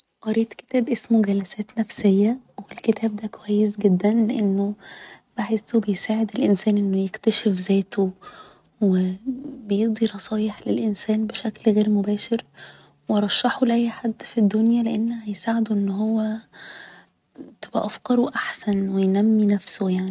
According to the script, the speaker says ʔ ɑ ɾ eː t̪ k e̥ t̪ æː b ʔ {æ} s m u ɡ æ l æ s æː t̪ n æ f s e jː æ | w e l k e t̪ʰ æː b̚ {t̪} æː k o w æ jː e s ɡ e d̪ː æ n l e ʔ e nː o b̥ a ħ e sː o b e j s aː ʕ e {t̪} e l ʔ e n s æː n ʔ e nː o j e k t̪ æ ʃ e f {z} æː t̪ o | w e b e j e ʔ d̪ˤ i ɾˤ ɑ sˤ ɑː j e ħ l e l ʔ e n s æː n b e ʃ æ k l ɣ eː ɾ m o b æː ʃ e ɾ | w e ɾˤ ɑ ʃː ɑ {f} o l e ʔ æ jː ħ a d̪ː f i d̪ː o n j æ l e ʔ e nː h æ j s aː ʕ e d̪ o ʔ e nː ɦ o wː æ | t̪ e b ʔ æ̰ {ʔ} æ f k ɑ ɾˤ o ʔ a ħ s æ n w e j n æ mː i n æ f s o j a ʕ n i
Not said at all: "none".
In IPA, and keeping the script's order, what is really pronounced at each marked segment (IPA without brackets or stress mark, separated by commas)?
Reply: e, d̪, d̪, z, ħ, ʔ